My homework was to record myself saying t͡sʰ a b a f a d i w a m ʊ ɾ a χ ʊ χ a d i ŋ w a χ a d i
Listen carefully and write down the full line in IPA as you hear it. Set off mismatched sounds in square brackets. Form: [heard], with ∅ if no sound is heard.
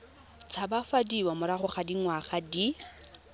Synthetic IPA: t͡sʰ a b a f a d i w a m ʊ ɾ a χ ʊ χ a d i ŋ w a χ a d i

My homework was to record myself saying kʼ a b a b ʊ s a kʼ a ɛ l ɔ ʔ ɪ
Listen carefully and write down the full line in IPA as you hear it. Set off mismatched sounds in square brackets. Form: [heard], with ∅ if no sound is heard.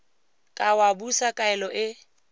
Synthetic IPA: kʼ a [w] a b [u] s a kʼ a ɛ l ɔ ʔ ɪ

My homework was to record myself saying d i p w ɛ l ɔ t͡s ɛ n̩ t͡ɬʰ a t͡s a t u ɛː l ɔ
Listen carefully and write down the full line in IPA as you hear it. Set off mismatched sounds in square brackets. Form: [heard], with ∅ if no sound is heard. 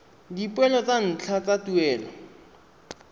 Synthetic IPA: d i p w ɛ l ɔ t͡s [a] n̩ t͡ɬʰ a t͡s a t u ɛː l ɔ

